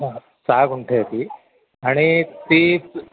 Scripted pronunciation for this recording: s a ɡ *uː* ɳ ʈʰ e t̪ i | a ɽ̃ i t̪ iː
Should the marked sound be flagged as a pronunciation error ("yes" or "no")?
yes